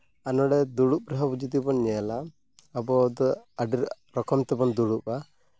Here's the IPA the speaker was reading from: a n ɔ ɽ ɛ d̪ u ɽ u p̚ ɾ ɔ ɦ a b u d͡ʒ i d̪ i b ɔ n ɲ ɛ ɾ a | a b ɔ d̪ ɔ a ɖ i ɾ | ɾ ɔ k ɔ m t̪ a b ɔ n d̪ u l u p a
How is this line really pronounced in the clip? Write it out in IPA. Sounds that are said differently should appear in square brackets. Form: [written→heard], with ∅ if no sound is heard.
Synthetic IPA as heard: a n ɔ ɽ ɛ d̪ u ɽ u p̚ ɾ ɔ ɦ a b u d͡ʒ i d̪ i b ɔ n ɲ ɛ [ɾ→l] a | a b ɔ d̪ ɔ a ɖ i ɾ | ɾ ɔ k ɔ m t̪ [a→ɛ] b ɔ n d̪ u [l→ɽ] u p a